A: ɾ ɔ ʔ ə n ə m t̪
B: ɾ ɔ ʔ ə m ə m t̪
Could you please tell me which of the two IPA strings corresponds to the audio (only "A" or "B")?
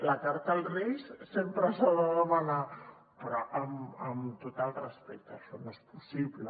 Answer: B